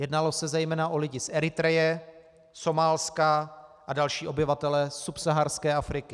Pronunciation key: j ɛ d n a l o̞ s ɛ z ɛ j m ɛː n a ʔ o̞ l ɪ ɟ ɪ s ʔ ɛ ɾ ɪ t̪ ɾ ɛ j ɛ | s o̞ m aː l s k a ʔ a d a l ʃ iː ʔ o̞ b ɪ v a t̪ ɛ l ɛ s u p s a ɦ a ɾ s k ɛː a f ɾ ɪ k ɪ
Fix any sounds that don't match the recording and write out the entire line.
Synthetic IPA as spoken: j ɛ d n a l o̞ s ɛ z ɛ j m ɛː n a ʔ o̞ l ɪ ɟ ɪ s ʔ ɛ ɾ ɪ t̪ ɾ ɛ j ɛ | s o̞ m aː l s k a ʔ a d a l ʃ iː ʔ o̞ b ɪ v a t̪ ɛ l ɛ s u p s a ɦ a ɾ s k ɛː a f ɾ ɪ k ɪ